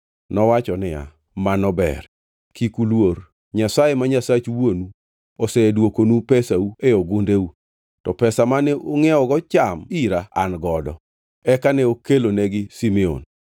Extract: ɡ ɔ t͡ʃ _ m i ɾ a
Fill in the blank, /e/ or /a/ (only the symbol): a